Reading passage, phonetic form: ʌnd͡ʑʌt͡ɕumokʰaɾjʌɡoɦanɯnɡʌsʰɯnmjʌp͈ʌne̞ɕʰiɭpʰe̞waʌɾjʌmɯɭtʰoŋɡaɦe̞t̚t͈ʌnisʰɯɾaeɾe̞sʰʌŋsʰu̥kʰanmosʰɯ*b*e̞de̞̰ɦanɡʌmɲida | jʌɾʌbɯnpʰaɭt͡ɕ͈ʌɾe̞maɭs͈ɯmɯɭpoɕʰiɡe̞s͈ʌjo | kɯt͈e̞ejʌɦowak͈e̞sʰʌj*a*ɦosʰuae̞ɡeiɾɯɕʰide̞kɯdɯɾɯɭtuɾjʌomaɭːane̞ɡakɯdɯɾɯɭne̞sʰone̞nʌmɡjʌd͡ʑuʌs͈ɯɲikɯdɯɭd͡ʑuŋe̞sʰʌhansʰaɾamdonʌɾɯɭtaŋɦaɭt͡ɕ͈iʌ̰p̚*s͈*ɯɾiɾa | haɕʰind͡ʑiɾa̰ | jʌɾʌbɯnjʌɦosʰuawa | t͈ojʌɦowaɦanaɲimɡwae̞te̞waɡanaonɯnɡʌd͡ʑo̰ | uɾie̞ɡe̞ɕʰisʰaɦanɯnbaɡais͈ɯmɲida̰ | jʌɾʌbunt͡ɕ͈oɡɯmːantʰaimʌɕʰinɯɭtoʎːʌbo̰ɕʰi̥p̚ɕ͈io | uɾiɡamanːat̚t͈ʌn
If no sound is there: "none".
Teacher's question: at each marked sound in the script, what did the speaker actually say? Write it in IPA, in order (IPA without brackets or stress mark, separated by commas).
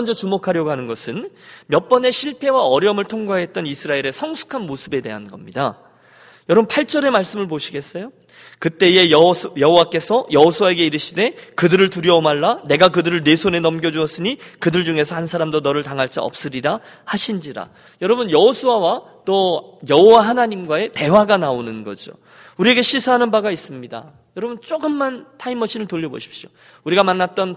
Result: b, ʌ, s͈